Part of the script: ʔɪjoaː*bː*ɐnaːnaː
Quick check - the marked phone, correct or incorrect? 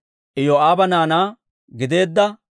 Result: incorrect